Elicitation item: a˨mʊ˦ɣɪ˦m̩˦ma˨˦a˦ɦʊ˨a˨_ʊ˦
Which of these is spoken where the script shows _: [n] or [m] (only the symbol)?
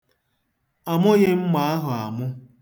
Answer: m